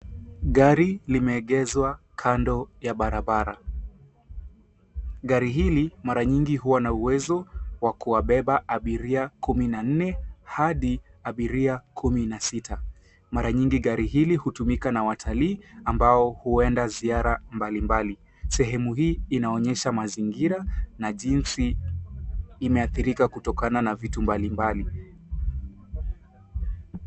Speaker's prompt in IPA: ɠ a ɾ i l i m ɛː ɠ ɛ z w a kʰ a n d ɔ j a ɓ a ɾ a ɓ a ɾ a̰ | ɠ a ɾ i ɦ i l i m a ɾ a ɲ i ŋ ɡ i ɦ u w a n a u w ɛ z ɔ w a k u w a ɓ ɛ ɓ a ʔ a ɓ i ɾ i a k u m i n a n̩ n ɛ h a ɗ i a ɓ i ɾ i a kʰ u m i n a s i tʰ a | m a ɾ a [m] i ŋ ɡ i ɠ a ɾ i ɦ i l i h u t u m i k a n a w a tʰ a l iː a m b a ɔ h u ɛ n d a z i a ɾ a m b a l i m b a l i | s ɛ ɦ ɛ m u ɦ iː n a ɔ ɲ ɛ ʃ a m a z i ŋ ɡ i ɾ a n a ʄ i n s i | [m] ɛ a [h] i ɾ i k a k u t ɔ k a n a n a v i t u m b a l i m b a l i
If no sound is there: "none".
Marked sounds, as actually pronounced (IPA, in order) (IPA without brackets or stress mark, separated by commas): ɲ, m, θ